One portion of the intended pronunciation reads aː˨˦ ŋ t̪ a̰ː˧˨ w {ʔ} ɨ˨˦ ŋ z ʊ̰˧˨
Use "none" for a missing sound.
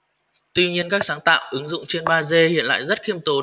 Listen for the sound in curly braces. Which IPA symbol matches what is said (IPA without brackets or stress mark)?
ʔ